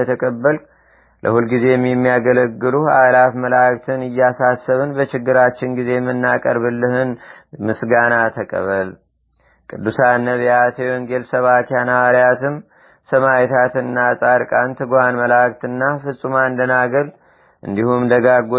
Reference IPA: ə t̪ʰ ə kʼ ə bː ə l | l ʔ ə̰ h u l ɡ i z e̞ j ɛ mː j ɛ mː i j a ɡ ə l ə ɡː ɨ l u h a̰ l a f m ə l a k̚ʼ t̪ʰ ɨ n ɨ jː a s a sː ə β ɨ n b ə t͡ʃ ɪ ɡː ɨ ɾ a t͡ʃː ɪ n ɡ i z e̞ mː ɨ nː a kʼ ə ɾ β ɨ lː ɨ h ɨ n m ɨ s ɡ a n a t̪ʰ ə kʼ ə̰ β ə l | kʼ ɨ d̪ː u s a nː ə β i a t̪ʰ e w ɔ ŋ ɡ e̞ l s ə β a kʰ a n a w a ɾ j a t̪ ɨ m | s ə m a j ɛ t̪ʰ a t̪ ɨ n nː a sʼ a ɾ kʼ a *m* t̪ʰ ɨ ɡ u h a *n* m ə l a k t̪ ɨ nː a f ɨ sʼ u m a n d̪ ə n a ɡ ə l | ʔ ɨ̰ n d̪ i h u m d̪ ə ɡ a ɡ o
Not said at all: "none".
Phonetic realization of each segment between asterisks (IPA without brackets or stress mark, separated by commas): n, n